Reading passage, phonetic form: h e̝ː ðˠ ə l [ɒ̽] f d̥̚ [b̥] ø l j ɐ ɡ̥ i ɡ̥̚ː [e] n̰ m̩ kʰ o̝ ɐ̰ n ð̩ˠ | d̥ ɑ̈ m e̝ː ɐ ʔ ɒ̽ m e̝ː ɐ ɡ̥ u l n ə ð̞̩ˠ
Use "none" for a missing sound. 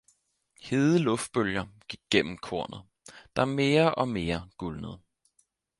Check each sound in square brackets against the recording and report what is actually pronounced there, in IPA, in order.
ɔ̽, b̥, e

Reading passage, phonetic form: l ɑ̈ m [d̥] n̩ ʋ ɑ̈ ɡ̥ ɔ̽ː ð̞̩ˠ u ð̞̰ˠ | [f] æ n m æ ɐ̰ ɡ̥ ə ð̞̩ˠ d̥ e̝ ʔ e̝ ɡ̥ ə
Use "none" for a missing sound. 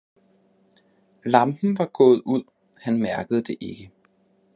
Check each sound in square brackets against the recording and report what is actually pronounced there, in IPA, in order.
b̥, h

